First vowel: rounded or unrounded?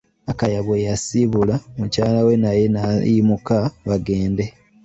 unrounded